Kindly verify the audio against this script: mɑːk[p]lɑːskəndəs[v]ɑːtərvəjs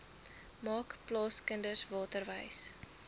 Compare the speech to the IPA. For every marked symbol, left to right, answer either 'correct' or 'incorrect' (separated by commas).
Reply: correct, correct